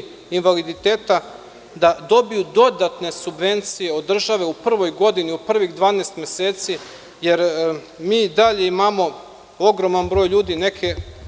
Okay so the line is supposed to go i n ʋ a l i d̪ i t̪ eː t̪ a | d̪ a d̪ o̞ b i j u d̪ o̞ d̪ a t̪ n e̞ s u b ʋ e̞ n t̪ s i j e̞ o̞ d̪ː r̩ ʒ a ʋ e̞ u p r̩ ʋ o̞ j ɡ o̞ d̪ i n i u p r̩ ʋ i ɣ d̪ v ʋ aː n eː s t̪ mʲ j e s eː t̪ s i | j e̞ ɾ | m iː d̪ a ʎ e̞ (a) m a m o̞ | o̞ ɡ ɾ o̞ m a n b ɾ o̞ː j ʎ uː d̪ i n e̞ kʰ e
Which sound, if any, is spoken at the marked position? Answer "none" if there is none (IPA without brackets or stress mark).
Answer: i